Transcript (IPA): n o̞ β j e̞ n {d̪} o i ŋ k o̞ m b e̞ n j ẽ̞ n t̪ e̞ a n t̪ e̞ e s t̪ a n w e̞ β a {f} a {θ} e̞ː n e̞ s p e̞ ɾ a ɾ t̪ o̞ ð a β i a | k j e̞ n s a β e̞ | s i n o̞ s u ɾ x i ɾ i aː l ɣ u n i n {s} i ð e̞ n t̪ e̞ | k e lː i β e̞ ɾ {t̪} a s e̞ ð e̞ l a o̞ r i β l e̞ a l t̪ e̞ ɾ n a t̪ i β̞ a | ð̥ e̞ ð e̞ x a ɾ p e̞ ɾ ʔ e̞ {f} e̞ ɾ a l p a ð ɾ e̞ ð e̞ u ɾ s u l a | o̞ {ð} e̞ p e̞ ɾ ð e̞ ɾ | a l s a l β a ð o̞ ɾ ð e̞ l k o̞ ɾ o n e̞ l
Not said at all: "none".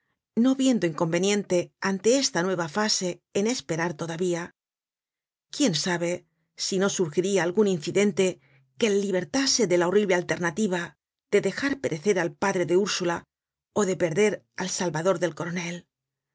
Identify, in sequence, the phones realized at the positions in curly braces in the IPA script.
d̪, f, s, θ, t̪, θ, ð

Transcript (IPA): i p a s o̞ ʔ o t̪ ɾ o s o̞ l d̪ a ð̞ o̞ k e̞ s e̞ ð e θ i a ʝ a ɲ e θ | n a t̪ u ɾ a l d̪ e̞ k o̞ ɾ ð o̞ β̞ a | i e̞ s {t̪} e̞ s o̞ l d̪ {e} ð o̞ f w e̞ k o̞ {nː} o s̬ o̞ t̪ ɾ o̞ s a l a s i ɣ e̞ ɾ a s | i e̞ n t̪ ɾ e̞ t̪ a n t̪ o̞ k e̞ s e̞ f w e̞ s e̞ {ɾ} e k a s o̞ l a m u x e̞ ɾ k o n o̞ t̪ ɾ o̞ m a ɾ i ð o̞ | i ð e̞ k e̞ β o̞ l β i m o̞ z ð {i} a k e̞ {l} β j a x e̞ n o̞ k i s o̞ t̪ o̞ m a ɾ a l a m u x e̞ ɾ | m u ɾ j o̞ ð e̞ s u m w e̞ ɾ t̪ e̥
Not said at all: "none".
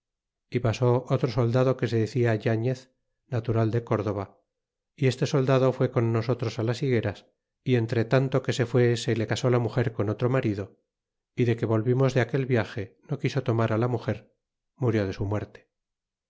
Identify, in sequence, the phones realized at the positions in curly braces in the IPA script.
t̪, a, nː, l, e, l

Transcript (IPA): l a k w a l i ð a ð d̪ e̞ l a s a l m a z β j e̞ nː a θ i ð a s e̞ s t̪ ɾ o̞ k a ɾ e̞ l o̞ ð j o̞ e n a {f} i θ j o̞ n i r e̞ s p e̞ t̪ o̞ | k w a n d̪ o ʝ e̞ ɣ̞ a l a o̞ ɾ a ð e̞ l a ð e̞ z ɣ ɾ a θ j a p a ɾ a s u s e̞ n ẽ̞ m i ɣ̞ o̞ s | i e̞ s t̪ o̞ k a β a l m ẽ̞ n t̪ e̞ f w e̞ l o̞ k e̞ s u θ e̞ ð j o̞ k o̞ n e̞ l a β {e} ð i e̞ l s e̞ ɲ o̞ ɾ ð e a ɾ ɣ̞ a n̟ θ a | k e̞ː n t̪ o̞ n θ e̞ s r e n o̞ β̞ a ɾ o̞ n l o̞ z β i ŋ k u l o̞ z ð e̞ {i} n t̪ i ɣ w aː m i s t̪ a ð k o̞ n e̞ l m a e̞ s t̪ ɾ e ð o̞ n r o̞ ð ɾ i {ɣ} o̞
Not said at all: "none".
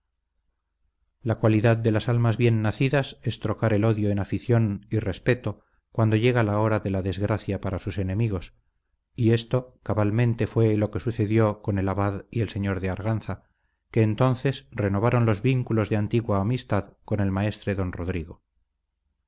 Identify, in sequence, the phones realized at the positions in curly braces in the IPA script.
f, a, a, ɣ

